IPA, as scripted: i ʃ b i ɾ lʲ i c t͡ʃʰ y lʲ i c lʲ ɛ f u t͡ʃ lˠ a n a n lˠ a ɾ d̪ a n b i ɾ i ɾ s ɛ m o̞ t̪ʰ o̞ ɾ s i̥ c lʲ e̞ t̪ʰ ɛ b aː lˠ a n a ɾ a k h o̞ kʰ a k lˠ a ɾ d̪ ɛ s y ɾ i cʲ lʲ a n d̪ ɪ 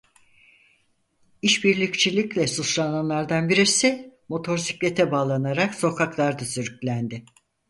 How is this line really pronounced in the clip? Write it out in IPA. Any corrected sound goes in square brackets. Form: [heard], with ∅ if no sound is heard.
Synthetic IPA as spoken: i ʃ b i ɾ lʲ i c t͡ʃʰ [i] lʲ i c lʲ ɛ [s] u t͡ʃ lˠ a n a n lˠ a ɾ d̪ a n b i ɾ i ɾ s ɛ m o̞ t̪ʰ o̞ ɾ s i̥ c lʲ e̞ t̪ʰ ɛ b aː lˠ a n a ɾ a k [s] o̞ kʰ a k lˠ a ɾ d̪ [a] s y ɾ [y] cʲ lʲ [æ] n d̪ ɪ